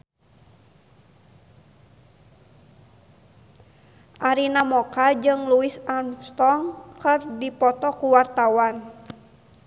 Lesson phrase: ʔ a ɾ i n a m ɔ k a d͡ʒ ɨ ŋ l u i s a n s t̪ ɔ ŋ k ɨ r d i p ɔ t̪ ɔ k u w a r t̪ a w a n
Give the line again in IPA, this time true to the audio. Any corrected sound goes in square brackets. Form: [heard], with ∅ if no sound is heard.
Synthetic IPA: ʔ a ɾ i n a m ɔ k a d͡ʒ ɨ ŋ l u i s a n s t̪ ɔ ŋ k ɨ r d i p ɔ t̪ ɔ k u w a r t̪ a w a n